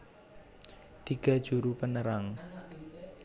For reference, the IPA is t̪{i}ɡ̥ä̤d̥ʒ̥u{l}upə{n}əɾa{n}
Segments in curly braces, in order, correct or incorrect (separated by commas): correct, incorrect, correct, incorrect